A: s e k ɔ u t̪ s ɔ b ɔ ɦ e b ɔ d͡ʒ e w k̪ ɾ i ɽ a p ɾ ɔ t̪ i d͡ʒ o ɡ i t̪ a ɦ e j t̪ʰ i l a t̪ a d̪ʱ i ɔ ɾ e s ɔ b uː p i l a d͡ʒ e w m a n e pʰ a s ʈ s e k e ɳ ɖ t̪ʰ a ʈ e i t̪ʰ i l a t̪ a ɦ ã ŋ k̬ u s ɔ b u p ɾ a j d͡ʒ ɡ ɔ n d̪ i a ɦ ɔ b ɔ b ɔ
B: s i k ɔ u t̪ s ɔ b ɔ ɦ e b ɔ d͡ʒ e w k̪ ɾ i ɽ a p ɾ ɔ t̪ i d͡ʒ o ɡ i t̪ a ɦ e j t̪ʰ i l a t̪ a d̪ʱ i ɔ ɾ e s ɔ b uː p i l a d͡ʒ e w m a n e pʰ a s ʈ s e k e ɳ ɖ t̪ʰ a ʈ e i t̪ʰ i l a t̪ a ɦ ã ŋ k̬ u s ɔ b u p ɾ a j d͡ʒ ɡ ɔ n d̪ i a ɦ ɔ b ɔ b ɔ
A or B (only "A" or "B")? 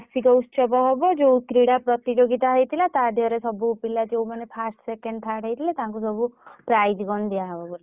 B